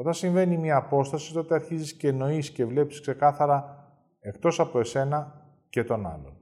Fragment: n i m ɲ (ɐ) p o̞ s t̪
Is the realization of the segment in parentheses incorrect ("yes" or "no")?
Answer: yes